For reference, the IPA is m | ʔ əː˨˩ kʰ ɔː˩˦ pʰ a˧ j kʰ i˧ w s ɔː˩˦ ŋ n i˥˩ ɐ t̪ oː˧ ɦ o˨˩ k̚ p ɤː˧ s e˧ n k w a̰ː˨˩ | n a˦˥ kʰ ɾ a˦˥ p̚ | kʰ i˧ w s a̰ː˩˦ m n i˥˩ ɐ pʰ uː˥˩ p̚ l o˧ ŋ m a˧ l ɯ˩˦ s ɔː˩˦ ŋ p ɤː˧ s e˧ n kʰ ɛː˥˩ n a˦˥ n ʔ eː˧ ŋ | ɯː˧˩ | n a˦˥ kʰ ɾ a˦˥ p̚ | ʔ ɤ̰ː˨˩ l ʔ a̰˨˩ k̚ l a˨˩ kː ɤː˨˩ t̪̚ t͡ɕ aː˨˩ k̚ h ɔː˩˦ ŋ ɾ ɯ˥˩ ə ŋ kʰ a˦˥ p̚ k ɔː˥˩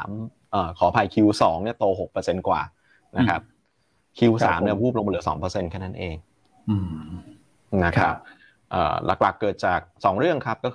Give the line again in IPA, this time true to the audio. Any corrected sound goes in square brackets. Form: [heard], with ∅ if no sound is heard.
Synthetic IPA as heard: m | ʔ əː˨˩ kʰ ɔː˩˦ pʰ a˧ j kʰ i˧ w s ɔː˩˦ ŋ n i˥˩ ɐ t̪ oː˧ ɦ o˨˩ k̚ p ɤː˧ s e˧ n k w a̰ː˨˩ | n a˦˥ kʰ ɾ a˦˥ p̚ | kʰ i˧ w s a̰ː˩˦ m n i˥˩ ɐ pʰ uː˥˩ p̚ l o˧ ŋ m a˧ l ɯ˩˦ s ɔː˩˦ ŋ p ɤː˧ s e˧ n kʰ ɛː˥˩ n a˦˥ n ʔ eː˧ ŋ | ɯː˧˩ | n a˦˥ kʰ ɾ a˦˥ p̚ | ʔ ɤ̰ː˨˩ l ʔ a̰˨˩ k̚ l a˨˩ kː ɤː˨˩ t̪̚ t͡ɕ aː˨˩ k̚ [s] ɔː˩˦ ŋ ɾ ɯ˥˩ ə ŋ kʰ a˦˥ p̚ k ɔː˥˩